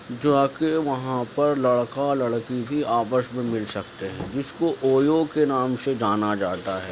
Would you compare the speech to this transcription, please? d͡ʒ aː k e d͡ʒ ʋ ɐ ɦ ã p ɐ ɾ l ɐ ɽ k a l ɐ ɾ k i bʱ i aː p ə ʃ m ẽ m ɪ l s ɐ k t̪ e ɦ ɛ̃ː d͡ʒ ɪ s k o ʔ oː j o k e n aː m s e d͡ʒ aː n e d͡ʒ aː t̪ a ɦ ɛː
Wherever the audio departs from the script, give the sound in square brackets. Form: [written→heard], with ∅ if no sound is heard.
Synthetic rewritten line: d͡ʒ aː k e [d͡ʒ→∅] ʋ ɐ ɦ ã p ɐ ɾ l ɐ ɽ k a l ɐ [ɾ→ɽ] k i bʱ i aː p ə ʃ m ẽ m ɪ l s ɐ k t̪ e ɦ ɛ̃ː d͡ʒ ɪ s k o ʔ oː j o k e n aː m s e d͡ʒ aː n [e→a] d͡ʒ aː t̪ a ɦ ɛː